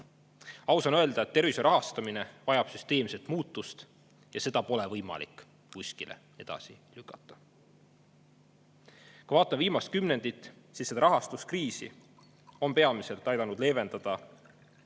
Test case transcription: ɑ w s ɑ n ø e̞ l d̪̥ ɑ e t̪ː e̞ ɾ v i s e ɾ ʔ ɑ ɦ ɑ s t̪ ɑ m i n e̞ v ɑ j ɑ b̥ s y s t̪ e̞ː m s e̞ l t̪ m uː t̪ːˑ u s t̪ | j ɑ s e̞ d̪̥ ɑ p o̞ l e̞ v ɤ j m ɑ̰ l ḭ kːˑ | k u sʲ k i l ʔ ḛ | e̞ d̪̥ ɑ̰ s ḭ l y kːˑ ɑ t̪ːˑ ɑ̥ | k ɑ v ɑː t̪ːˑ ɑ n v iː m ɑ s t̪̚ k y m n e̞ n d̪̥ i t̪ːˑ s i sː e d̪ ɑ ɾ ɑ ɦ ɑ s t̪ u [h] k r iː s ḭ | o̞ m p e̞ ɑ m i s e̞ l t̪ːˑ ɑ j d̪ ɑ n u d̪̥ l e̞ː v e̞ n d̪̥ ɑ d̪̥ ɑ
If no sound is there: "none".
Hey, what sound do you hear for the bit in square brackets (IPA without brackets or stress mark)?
s